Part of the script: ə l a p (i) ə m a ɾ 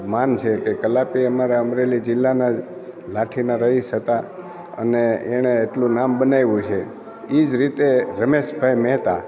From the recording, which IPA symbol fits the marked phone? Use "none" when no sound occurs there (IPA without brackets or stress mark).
i